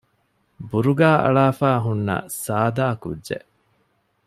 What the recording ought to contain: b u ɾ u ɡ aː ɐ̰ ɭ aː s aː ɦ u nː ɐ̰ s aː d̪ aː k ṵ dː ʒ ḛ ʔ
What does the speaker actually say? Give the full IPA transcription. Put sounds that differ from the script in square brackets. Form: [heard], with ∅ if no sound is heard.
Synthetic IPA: b u ɾ u ɡ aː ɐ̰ ɭ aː [f] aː ɦ u nː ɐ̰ s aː d̪ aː k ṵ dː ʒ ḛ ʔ